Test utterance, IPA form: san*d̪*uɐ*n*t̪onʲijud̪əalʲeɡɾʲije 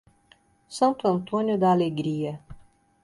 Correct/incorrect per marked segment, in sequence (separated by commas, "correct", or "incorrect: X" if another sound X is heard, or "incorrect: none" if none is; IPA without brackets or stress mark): incorrect: t̪, correct